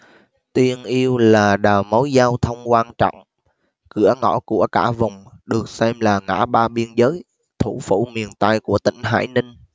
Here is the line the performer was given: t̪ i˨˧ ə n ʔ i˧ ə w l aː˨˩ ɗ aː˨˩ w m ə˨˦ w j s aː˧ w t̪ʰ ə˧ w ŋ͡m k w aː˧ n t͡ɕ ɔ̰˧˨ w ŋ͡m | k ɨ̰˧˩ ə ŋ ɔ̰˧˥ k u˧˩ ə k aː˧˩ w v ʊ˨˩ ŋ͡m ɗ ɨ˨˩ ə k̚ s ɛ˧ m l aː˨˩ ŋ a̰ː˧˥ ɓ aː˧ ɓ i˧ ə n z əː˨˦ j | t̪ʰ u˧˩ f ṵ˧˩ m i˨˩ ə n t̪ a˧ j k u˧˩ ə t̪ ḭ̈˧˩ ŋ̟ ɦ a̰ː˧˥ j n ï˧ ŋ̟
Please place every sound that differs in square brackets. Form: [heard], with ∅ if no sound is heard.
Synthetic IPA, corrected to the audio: t̪ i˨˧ ə n ʔ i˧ ə w l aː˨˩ ɗ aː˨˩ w m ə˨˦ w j [z] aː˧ w t̪ʰ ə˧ w ŋ͡m k w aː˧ n t͡ɕ ɔ̰˧˨ w ŋ͡m | k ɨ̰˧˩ ə ŋ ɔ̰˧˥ k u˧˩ ə k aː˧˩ [∅] v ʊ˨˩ ŋ͡m ɗ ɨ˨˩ ə k̚ s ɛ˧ m l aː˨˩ ŋ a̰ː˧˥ ɓ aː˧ ɓ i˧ ə n z əː˨˦ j | t̪ʰ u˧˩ f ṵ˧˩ m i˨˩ ə n t̪ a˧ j k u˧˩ ə t̪ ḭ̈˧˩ ŋ̟ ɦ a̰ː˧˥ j n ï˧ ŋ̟